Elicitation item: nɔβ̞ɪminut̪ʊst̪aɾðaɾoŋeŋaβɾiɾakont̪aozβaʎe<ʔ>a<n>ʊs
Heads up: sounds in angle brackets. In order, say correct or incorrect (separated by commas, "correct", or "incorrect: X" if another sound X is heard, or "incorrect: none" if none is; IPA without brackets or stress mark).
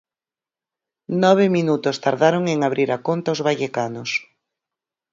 incorrect: k, correct